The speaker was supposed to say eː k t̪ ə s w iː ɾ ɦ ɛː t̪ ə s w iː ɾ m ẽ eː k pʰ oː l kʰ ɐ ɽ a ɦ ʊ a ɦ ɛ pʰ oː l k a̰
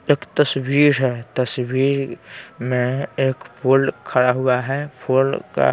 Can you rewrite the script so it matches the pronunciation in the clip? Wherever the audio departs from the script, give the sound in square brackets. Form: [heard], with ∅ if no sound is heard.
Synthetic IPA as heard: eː k t̪ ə s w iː ɾ ɦ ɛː t̪ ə s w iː ɾ m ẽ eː k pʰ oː l kʰ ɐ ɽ a ɦ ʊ a ɦ ɛ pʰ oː l k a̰